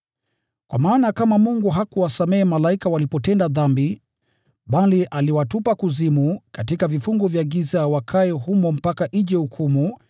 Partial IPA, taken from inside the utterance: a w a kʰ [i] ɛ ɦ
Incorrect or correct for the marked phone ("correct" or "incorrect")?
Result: incorrect